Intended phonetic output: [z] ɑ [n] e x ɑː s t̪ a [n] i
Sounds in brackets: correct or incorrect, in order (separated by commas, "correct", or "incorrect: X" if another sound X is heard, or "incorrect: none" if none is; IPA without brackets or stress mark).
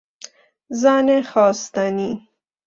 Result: correct, correct, correct